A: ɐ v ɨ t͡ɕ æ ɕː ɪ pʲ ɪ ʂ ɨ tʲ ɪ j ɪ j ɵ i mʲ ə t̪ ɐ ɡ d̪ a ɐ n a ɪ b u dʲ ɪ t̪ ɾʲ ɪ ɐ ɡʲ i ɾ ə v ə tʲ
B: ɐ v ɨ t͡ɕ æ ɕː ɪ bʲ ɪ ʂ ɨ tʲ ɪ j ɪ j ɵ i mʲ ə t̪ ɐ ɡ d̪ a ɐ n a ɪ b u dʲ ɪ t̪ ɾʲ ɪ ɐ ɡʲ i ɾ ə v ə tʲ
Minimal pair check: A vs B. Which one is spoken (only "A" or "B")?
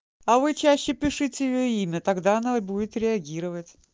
A